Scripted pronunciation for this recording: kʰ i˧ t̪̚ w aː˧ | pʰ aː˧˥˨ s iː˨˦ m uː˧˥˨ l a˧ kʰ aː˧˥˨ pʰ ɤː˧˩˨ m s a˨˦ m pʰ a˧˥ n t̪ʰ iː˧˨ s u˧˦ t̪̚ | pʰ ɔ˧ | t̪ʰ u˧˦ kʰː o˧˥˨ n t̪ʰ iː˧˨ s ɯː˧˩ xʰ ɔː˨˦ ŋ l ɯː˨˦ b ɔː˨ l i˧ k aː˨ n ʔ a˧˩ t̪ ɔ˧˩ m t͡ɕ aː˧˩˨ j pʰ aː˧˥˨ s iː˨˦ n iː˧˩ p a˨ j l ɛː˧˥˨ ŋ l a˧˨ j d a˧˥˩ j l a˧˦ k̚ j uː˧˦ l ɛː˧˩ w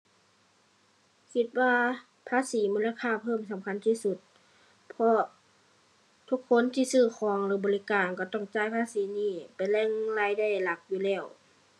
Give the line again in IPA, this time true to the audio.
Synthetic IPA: kʰ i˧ t̪̚ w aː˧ | pʰ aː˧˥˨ s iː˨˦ m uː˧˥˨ l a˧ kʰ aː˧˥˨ pʰ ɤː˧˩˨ m s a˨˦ m kʰ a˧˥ n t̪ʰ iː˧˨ s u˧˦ t̪̚ | pʰ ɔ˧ | t̪ʰ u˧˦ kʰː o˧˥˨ n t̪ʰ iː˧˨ s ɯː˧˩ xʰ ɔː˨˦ ŋ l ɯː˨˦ b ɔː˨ l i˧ k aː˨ n k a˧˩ t̪ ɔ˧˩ ŋ t͡ɕ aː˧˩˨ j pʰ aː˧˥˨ s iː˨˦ n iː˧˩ p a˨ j l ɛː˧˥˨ ŋ l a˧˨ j d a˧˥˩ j l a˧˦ k̚ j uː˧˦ l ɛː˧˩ w

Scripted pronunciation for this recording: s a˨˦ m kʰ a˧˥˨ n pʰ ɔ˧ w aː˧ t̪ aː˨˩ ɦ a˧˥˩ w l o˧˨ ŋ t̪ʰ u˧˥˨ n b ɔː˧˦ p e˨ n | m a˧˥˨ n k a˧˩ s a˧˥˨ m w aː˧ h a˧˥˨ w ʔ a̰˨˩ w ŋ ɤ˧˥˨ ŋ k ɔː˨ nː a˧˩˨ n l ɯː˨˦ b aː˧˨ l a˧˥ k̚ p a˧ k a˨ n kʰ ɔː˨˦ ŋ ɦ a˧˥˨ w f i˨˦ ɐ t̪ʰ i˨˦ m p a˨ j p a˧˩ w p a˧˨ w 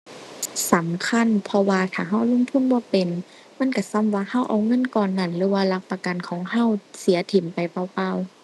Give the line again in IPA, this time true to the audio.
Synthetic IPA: s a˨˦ m kʰ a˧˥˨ n pʰ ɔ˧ w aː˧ t̪ʰ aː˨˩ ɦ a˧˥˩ w l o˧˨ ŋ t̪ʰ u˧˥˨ n b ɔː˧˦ p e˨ n | m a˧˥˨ n k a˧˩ s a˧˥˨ m w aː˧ h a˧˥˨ w ʔ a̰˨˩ w ŋ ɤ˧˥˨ n k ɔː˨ nː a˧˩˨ n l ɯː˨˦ w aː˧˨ l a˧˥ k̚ p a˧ k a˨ n kʰ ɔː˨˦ ŋ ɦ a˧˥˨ w s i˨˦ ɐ t̪ʰ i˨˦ m p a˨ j p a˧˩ w p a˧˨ w

